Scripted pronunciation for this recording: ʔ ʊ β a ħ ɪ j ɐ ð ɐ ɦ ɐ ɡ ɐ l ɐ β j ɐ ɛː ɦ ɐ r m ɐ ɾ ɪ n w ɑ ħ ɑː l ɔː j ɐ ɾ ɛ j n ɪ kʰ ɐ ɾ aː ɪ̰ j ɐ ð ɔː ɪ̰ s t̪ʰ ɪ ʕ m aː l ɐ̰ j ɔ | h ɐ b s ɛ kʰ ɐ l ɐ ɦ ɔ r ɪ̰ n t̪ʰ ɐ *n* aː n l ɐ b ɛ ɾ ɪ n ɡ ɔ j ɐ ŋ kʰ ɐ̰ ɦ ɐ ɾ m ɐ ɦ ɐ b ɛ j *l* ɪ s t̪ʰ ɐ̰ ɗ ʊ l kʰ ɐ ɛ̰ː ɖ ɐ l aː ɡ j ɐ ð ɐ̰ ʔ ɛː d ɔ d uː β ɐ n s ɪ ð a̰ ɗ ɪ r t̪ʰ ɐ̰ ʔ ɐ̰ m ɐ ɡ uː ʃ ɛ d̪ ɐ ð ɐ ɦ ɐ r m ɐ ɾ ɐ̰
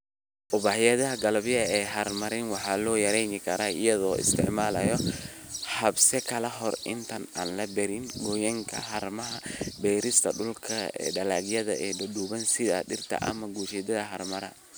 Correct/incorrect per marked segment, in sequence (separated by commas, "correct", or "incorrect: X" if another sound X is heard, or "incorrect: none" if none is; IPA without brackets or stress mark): correct, incorrect: ɾ